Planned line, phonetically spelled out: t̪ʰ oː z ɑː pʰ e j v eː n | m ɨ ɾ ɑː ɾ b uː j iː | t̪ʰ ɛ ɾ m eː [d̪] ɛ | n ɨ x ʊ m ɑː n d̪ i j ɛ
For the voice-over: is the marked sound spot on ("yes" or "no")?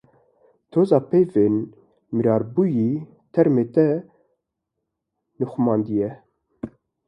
no